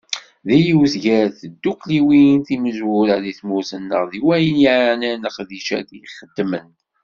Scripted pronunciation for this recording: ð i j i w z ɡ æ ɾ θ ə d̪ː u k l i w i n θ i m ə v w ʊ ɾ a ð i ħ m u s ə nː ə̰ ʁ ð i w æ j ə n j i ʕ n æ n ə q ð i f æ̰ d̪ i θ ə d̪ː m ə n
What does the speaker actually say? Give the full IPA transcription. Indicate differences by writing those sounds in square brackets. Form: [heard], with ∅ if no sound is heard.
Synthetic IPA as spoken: ð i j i w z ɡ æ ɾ θ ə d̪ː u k l i w i n θ i m ə [z] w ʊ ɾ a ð i [θ] m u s ə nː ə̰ ʁ ð i w æ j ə n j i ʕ n æ n ə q ð i [ʃ] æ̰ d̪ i [χ] ə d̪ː m ə n